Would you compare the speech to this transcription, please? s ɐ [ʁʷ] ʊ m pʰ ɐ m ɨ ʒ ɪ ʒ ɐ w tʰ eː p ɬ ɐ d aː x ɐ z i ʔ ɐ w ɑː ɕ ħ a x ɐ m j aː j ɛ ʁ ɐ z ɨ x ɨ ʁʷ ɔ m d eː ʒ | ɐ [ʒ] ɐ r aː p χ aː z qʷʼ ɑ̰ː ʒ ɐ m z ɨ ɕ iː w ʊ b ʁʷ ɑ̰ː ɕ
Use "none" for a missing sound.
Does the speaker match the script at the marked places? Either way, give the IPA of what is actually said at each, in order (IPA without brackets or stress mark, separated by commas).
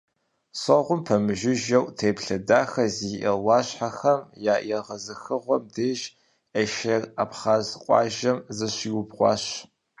ʁʷ, ʃ